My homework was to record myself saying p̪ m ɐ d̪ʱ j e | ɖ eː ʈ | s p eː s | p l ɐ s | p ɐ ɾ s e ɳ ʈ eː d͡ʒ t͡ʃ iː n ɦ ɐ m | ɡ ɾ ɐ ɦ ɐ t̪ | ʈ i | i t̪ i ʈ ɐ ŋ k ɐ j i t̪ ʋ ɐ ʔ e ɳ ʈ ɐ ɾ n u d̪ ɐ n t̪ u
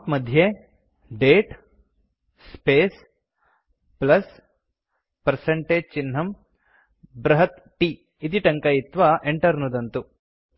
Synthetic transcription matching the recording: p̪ m ɐ d̪ʱ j e | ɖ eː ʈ | s p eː s | p l ɐ s | p ɐ ɾ s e ɳ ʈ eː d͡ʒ t͡ʃ i n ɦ ɐ m | b ɾ ɐ ɦ ɐ t̪ | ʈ i | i t̪ i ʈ ɐ ŋ k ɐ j i t̪ ʋ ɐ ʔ e ɳ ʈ ɐ ɾ n u d̪ ɐ n t̪ u

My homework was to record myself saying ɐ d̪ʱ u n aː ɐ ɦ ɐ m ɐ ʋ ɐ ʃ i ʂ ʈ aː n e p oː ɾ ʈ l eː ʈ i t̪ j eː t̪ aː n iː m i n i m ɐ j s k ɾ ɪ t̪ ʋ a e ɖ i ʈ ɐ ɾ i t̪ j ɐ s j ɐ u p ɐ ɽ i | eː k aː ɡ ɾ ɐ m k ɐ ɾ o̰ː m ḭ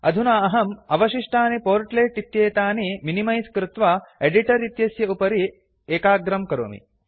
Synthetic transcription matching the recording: ɐ d̪ʱ u n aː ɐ ɦ ɐ m ɐ ʋ ɐ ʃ i ʂ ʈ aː n i p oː ɾ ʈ l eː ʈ i t̪ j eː t̪ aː n i m i n i m ɐ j s k ɾ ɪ t̪ ʋ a e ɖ i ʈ ɐ ɾ i t̪ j ɐ s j ɐ u p ɐ ɾ i | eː k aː ɡ ɾ ɐ m k ɐ ɾ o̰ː m ḭ

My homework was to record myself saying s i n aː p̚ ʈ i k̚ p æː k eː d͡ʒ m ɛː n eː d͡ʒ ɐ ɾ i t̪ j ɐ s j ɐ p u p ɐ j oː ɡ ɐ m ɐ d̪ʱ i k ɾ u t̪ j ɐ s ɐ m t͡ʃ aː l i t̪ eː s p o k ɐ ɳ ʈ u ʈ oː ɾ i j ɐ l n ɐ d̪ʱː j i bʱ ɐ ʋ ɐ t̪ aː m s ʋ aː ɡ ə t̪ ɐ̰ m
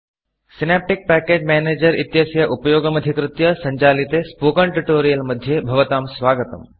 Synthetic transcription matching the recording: s i n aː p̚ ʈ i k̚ p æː k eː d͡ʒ m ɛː n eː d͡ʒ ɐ ɾ i t̪ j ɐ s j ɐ ʔ u p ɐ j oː ɡ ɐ m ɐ d̪ʱ i k ɾ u t̪ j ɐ s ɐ ɲ t͡ʃ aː l i t̪ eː s p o k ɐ ɳ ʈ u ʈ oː ɾ i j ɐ l m ɐ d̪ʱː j e bʱ ɐ ʋ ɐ t̪ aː m s ʋ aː ɡ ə t̪ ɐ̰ m

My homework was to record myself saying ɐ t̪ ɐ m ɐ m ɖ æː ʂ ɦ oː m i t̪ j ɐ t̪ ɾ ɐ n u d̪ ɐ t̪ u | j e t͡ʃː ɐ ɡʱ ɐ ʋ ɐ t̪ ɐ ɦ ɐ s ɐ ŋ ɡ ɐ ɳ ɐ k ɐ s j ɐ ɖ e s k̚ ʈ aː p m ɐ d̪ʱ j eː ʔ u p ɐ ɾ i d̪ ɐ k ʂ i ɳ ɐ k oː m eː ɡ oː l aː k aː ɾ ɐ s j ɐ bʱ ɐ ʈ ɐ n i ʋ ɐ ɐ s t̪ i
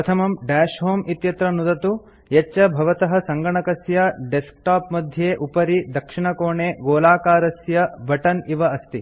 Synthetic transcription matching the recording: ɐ t̪ʰ ɐ m ɐ m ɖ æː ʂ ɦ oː m i t̪ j ɐ t̪ ɾ ɐ n u d̪ ɐ t̪ u | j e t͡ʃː ɐ bʱ ɐ ʋ ɐ t̪ ɐ ɦ ɐ s ɐ ŋ ɡ ɐ ɳ ɐ k ɐ s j ɐ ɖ e s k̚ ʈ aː p m ɐ d̪ʱ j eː ʔ u p ɐ ɾ i d̪ ɐ k ʂ i ɳ ɐ k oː ɳ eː ɡ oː l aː k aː ɾ ɐ s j ɐ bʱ ɐ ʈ ɐ n i ʋ ɐ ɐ s t̪ i

